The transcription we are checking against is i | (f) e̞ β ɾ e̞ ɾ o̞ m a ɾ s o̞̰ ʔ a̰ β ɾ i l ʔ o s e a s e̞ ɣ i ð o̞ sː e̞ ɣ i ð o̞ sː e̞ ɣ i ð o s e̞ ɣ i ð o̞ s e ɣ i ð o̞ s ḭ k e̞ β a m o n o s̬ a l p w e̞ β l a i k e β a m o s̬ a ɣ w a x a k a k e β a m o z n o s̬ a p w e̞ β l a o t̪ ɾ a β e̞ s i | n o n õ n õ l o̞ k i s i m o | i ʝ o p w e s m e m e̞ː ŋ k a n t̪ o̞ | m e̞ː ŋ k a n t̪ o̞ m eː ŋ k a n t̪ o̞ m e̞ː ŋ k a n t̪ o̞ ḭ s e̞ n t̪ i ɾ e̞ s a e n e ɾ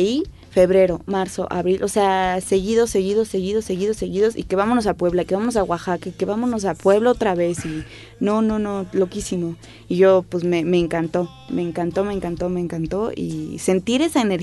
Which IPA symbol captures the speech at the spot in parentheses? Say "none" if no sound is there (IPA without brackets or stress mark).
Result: f